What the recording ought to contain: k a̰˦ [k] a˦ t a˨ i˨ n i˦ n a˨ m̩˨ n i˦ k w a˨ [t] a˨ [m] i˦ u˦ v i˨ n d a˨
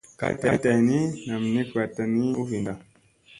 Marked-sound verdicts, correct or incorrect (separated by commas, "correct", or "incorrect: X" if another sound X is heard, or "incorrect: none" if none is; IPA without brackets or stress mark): incorrect: t, correct, incorrect: n